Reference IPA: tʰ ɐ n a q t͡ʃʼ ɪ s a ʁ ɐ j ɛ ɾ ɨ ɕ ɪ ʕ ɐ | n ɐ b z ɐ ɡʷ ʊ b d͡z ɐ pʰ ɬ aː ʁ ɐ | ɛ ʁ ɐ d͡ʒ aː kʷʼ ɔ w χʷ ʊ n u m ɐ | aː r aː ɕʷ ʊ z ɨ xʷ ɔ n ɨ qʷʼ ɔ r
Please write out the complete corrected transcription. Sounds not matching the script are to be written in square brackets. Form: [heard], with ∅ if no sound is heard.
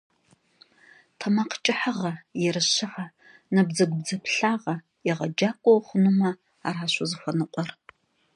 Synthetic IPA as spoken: tʰ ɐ [m] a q t͡ʃʼ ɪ [ħ] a ʁ ɐ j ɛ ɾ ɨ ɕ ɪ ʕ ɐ | n ɐ b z ɐ ɡʷ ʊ b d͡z ɐ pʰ ɬ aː ʁ ɐ | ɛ ʁ ɐ d͡ʒ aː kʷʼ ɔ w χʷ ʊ n u m ɐ | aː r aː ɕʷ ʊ z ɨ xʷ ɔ n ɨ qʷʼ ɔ r